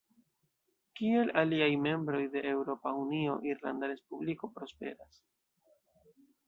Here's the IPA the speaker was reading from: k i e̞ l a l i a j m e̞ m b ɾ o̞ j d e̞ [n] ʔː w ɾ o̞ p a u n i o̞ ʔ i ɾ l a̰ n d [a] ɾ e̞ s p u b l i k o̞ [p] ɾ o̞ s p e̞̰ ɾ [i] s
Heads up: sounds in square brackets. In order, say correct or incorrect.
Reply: incorrect, correct, correct, incorrect

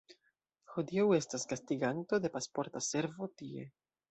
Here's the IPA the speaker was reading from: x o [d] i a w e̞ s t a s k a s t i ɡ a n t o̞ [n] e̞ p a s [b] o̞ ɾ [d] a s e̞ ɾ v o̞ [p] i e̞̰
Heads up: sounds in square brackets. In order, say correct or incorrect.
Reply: correct, incorrect, incorrect, incorrect, incorrect

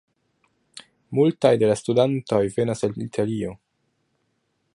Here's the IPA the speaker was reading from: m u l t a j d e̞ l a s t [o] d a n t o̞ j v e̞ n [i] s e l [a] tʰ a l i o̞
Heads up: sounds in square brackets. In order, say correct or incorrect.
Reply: incorrect, incorrect, incorrect

